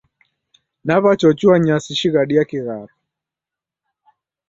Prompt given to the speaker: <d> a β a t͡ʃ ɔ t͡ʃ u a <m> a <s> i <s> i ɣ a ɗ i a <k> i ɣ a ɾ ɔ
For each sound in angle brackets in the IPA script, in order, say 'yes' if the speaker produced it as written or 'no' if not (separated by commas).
no, no, yes, no, yes